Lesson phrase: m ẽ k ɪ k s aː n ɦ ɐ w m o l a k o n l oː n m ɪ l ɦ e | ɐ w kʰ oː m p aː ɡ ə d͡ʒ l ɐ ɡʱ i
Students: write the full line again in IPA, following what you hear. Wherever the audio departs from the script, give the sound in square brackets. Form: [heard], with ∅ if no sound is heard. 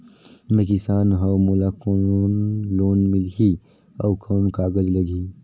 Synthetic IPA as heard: m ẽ k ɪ [∅] s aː n ɦ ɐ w m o l a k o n l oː n m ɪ l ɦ [i] | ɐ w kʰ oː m [k] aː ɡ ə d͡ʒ l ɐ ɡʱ i